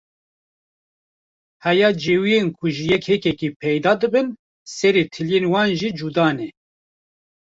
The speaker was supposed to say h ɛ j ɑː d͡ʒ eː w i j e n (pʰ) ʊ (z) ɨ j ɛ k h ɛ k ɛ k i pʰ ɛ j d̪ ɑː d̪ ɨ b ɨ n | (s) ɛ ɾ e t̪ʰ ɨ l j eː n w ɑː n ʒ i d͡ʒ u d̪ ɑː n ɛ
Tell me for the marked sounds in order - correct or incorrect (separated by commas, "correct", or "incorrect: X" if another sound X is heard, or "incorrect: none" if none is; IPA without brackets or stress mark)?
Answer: incorrect: kʰ, incorrect: ʒ, correct